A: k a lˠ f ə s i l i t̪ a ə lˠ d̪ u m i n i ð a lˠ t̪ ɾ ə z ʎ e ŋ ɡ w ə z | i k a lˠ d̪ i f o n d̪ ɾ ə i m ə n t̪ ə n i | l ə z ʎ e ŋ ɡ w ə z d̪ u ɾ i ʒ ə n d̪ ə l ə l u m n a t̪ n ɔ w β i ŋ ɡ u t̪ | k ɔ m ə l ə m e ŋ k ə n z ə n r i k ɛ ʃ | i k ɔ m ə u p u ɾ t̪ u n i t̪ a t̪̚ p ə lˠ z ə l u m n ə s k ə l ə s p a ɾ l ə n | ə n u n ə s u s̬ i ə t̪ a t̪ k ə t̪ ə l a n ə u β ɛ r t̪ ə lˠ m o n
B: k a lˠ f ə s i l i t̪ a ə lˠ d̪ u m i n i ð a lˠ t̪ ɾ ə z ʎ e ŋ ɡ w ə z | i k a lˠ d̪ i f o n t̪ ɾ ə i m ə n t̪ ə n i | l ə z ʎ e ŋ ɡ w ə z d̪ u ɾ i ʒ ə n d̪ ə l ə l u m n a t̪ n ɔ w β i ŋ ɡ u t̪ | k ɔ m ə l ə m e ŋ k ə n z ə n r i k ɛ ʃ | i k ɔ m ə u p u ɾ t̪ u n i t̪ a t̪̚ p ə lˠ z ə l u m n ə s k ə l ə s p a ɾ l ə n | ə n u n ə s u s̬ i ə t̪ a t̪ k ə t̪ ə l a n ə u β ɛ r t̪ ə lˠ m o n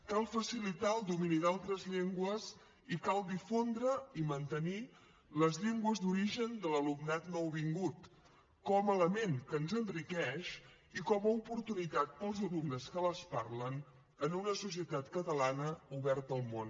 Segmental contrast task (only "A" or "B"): A